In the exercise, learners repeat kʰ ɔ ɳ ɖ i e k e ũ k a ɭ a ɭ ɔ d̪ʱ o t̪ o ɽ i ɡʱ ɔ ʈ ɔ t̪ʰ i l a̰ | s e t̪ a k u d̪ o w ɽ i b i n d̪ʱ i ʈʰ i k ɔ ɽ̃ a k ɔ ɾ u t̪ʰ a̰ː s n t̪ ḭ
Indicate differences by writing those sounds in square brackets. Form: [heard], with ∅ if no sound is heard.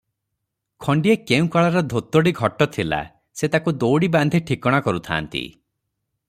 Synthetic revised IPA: kʰ ɔ ɳ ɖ i e k e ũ k a ɭ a [ɾ] ɔ d̪ʱ o t̪ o ɽ i ɡʱ ɔ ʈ ɔ t̪ʰ i l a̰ | s e t̪ a k u d̪ o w ɽ i b [a] n d̪ʱ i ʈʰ i k ɔ ɽ̃ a k ɔ ɾ u t̪ʰ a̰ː [∅] n t̪ ḭ